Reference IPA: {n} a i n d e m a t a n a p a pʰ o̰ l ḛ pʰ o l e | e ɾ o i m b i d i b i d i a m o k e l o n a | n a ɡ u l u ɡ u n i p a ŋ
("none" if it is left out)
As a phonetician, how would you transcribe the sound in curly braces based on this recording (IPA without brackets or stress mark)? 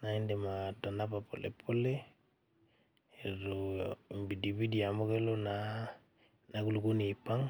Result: n